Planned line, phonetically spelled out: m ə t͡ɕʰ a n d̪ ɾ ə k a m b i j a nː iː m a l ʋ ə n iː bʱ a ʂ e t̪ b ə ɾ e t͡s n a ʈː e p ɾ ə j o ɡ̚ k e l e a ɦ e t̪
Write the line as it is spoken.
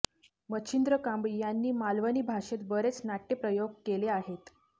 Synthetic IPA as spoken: m ə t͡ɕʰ i n d̪ ɾ ə k a m b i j a nː iː m a l ʋ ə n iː bʱ a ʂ e t̪ b ə ɾ e t͡s n a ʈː e p ɾ ə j o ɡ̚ k e l e a ɦ e t̪